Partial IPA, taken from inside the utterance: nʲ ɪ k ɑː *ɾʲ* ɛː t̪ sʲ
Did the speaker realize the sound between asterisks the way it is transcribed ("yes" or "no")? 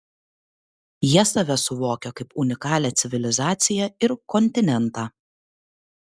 no